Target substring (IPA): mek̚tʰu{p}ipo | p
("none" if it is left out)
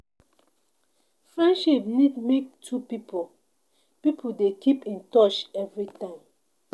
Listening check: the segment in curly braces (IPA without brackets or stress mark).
p